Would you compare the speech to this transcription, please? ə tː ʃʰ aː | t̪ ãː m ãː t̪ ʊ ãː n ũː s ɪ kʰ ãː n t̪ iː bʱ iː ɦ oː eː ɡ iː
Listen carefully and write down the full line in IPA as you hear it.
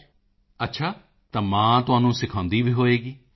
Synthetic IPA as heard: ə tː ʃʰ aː | t̪ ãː m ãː t̪ ʊ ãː n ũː s ɪ kʰ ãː n d̪ iː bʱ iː ɦ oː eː ɡ iː